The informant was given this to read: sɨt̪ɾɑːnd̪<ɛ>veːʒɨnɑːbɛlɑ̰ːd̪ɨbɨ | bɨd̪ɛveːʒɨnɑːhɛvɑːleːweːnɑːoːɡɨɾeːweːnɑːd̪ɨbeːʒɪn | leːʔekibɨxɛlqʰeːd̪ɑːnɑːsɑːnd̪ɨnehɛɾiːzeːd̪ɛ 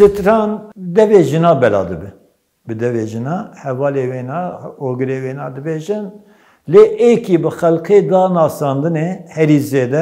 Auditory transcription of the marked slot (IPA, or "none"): ɛ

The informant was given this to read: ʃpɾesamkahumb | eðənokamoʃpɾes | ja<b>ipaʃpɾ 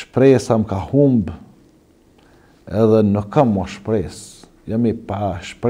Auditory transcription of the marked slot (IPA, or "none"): m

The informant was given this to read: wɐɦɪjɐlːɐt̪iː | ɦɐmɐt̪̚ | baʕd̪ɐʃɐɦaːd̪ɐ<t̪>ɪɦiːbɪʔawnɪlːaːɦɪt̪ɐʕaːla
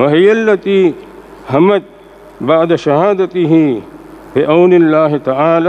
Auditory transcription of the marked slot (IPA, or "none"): t̪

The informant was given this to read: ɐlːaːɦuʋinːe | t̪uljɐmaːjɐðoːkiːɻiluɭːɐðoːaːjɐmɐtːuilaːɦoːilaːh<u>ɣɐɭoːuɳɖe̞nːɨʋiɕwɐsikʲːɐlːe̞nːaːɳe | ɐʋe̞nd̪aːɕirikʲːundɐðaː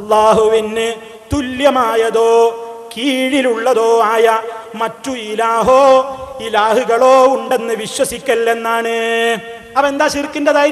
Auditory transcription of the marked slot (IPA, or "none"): u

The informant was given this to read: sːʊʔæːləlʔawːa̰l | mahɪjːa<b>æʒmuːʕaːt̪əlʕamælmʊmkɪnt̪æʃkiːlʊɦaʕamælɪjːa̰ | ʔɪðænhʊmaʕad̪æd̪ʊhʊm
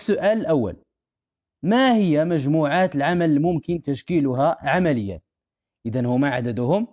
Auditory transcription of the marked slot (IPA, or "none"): m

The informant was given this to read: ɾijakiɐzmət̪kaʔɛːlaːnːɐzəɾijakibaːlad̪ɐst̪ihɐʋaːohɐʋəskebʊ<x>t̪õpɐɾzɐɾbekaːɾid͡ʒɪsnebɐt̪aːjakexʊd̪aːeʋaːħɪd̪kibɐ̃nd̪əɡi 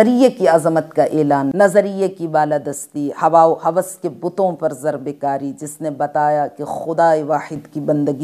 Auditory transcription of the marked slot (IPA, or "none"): none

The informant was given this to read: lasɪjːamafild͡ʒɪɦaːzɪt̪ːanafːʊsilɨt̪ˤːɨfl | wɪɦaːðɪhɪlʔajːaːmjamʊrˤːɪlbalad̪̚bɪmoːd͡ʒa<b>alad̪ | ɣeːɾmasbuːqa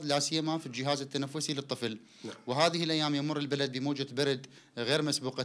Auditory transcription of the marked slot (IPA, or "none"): b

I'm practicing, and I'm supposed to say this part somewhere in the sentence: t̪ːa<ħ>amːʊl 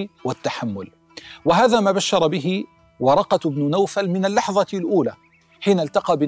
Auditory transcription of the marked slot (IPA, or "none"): ħ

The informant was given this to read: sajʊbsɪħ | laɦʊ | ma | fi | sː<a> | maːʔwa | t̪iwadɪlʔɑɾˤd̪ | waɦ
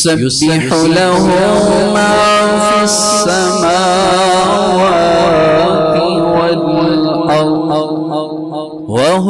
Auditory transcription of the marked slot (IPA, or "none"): a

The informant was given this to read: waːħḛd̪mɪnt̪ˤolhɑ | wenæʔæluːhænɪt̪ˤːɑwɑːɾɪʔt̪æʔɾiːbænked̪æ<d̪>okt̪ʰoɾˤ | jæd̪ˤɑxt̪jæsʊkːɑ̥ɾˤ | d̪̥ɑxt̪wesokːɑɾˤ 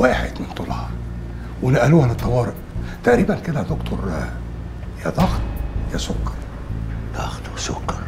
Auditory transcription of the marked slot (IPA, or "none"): d̪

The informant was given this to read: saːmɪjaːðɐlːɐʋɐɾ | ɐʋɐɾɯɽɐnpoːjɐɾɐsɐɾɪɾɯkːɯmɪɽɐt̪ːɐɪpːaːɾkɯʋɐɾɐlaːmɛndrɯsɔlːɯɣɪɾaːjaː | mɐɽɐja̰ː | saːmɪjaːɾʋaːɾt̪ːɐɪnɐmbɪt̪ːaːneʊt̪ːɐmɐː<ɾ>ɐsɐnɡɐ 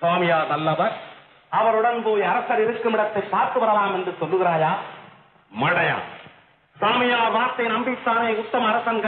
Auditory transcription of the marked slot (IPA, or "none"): ɾ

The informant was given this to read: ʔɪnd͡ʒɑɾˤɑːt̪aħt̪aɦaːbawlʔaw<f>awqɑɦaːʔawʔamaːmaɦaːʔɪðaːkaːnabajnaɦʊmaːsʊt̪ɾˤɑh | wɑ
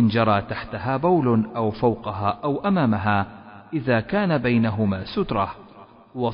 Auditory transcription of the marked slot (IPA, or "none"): f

